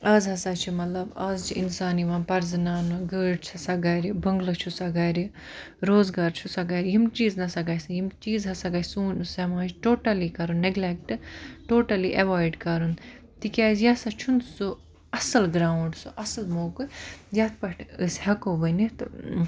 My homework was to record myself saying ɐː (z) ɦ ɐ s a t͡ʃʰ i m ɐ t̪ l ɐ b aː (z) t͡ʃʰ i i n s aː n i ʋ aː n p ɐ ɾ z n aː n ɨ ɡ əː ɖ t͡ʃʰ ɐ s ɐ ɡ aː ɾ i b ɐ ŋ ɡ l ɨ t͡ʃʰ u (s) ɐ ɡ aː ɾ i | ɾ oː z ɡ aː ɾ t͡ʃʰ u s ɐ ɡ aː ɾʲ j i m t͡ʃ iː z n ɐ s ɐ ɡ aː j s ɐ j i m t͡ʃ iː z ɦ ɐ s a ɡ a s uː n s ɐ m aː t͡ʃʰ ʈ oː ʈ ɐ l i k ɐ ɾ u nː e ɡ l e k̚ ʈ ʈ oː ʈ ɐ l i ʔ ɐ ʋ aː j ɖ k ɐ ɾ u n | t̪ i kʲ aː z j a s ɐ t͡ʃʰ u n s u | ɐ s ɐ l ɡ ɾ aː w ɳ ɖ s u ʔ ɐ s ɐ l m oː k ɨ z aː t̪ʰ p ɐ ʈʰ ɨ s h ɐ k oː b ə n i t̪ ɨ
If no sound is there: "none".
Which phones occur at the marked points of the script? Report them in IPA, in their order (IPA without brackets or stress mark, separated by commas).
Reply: z, z, s